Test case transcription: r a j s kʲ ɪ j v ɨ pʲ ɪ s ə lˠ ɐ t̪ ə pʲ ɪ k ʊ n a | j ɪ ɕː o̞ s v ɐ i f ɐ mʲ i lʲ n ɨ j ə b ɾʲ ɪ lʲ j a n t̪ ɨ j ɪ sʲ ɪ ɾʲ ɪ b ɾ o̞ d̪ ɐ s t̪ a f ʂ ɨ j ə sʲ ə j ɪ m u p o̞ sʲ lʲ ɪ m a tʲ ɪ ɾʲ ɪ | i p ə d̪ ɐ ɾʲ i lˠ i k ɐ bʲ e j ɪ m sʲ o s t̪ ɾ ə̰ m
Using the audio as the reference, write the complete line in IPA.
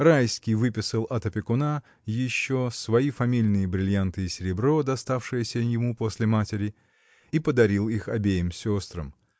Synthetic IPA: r a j s kʲ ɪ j v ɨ pʲ ɪ s ə lˠ ɐ t̪ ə pʲ ɪ k ʊ n a | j ɪ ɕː o̞ s v ɐ i f ɐ mʲ i lʲ n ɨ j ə b ɾʲ ɪ lʲ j a n t̪ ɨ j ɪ sʲ ɪ ɾʲ ɪ b ɾ o̞ d̪ ɐ s t̪ a f ʂ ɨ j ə sʲ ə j ɪ m u p o̞ sʲ lʲ ɪ m a tʲ ɪ ɾʲ ɪ | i p ə d̪ ɐ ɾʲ i lˠ i x ɐ bʲ e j ɪ m sʲ o s t̪ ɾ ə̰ m